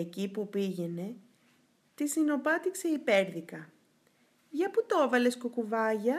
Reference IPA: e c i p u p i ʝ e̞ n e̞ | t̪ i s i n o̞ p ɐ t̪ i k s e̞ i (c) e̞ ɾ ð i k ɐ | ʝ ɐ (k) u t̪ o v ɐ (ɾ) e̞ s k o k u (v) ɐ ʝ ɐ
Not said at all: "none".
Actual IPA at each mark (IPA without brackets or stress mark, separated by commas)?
p, p, l, v